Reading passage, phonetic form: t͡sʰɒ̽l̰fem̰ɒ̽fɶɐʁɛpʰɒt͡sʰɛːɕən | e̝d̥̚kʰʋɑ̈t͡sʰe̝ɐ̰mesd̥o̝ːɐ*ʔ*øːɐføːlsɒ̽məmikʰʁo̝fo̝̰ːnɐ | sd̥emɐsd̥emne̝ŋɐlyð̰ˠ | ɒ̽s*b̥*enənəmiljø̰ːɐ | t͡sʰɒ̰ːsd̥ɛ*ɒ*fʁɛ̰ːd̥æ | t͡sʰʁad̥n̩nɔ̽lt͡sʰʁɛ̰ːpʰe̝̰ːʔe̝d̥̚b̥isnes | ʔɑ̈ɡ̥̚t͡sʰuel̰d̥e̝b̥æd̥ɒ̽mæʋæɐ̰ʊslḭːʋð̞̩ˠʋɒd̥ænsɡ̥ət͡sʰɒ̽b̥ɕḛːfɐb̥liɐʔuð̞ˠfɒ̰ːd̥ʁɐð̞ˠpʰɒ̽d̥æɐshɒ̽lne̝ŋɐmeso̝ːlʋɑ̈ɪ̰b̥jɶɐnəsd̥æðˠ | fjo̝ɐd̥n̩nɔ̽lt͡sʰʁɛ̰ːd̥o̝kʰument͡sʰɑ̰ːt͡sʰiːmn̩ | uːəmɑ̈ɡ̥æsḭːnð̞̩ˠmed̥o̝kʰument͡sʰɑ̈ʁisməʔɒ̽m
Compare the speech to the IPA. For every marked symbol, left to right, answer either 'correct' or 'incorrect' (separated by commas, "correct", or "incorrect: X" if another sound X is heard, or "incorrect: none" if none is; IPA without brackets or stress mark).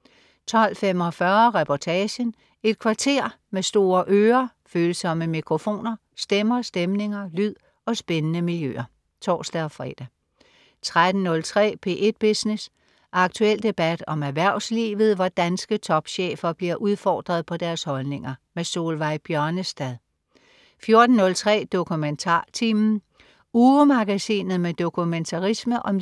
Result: correct, correct, correct